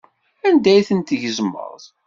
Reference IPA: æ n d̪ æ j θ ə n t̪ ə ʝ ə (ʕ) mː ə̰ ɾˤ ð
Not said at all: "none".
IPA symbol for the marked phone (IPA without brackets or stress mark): z